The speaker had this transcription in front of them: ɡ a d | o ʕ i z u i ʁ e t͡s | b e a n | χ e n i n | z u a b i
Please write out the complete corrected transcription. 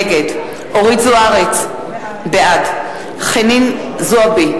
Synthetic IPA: ɡ e d | o ʁ i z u a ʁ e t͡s | b e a d | χ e n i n | z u a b i